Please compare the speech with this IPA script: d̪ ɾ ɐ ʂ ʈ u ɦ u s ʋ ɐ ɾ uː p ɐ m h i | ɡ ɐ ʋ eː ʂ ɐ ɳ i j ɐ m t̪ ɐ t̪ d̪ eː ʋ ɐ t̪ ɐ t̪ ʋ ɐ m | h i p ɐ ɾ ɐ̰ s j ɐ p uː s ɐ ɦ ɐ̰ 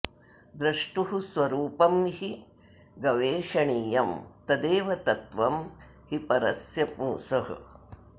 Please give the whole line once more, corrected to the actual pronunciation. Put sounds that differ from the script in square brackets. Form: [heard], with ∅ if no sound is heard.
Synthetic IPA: d̪ ɾ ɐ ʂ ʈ u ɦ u s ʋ ɐ ɾ uː p ɐ m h i | ɡ ɐ ʋ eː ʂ ɐ ɳ [iː] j ɐ m t̪ ɐ [∅] d̪ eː ʋ ɐ t̪ ɐ t̪ ʋ ɐ m | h i p ɐ ɾ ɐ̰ s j ɐ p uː s ɐ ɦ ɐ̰

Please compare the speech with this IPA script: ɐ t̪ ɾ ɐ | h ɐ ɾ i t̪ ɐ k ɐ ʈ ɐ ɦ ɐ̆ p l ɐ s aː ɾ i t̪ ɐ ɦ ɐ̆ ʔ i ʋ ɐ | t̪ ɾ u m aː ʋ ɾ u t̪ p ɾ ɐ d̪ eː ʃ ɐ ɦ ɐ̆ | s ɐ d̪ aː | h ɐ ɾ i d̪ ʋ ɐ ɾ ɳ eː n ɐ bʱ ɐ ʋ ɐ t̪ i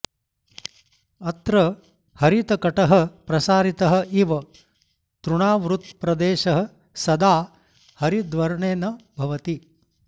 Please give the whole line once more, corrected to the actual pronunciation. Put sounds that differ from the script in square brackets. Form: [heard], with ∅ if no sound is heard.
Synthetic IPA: ɐ t̪ ɾ ɐ | h ɐ ɾ i t̪ ɐ k ɐ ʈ ɐ ɦ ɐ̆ p [ɾ] ɐ s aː ɾ i t̪ ɐ ɦ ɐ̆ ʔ i ʋ ɐ | t̪ ɾ u [ɳ] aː ʋ ɾ u t̪ p ɾ ɐ d̪ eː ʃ ɐ ɦ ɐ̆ | s ɐ d̪ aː | h ɐ ɾ i d̪ ʋ ɐ ɾ ɳ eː n ɐ bʱ ɐ ʋ ɐ t̪ i

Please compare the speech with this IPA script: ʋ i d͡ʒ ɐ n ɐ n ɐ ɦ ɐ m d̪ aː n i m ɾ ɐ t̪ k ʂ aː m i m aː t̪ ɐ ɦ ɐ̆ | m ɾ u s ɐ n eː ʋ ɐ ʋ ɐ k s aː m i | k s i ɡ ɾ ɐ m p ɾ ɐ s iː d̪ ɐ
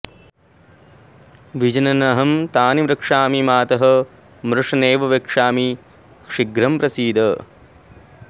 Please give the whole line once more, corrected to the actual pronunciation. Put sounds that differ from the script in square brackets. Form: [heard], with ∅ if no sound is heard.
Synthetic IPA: ʋ i d͡ʒ ɐ n ɐ n ɐ ɦ ɐ m [t̪] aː n i m ɾ ɐ [∅] k ʂ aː m i m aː t̪ ɐ ɦ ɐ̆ | m ɾ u [ʂ] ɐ n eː ʋ ɐ ʋ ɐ k [ʂ] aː m i | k [ʂ] i ɡ ɾ ɐ m p ɾ ɐ s iː d̪ ɐ

